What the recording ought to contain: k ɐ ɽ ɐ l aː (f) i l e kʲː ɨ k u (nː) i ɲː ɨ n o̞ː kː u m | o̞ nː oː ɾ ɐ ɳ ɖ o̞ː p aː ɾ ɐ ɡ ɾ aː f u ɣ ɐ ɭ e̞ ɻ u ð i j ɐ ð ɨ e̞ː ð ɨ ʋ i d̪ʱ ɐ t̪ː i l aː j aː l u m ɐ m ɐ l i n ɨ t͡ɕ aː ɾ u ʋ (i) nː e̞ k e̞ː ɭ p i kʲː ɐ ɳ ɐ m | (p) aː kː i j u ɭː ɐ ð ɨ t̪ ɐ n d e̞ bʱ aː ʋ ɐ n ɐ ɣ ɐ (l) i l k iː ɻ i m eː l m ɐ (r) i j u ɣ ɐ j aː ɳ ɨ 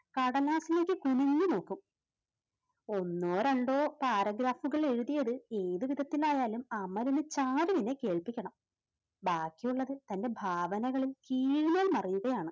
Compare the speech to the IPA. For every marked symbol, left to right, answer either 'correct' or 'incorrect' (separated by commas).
incorrect, incorrect, correct, incorrect, incorrect, correct